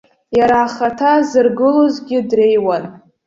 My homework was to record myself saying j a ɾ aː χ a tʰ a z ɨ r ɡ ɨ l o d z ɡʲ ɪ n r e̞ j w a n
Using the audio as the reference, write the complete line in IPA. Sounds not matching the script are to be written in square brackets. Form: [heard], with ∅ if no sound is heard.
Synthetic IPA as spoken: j a ɾ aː χ a tʰ a z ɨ r ɡ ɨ l o [∅] z ɡʲ ɪ [d] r e̞ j w a n